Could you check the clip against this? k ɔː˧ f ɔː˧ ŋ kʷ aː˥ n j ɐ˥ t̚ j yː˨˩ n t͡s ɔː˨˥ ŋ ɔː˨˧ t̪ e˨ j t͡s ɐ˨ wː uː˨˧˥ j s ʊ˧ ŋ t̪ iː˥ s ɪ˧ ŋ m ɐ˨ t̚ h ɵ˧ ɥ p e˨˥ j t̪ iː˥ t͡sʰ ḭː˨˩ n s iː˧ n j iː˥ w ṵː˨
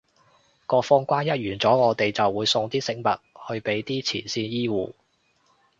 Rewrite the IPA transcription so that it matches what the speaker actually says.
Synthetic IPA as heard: k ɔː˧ f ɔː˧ ŋ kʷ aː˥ n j ɐ˥ t̚ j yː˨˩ n t͡s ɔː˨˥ ŋ ɔː˨˧ t̪ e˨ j t͡s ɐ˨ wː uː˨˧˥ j s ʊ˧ ŋ t̪ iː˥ s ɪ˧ ŋ m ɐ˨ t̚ h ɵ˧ ɥ p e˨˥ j t̪ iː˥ t͡sʰ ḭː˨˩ n s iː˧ n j iː˥ w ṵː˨